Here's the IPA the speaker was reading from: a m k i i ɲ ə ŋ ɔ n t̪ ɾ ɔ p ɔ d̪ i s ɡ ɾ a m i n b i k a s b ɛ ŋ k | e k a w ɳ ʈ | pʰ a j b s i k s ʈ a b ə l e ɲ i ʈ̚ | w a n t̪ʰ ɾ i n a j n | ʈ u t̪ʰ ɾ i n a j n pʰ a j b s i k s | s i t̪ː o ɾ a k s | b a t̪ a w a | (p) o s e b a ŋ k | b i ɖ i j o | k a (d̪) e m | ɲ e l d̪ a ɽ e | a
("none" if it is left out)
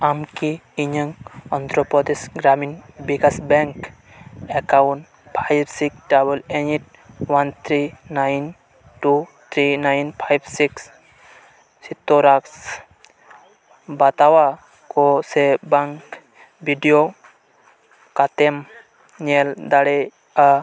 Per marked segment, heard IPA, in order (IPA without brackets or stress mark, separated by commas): k, t̪